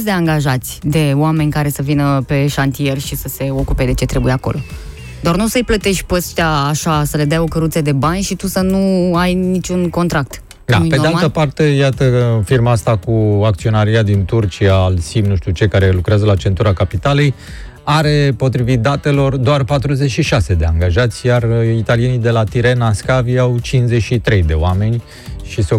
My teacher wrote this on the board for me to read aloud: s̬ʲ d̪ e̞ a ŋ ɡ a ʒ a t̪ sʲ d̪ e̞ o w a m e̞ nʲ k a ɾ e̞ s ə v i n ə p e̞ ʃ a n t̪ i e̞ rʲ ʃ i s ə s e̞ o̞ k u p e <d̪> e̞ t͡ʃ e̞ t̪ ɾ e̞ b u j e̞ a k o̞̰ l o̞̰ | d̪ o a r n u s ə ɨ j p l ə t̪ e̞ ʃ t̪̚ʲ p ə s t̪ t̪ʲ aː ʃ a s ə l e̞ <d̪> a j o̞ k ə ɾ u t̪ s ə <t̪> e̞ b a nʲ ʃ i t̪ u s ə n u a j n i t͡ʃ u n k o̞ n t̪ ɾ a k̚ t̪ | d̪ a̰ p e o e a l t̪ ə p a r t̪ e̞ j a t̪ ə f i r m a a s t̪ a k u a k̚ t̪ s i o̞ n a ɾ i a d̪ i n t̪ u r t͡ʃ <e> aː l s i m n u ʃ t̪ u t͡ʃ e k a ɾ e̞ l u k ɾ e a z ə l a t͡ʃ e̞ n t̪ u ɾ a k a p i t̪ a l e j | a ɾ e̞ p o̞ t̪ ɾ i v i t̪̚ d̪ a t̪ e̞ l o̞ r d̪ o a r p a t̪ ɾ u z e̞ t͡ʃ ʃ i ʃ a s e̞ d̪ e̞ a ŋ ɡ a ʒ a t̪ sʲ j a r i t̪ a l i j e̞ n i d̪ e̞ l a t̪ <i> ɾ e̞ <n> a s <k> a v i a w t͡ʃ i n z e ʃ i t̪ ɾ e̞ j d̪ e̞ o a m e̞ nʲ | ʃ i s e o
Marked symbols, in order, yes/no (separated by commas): yes, yes, no, no, yes, yes, yes